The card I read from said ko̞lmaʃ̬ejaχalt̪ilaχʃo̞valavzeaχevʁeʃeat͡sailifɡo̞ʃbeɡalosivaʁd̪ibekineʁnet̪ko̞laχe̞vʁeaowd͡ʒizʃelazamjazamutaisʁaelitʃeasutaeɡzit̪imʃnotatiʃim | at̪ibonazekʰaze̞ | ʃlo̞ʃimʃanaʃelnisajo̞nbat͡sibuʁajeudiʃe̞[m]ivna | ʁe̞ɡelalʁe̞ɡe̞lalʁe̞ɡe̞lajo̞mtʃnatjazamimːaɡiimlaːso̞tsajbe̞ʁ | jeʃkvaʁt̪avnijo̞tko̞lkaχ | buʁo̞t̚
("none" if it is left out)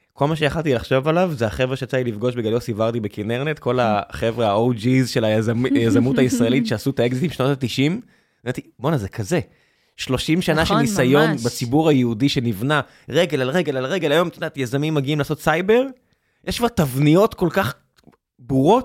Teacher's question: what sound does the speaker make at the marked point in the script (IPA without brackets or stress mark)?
n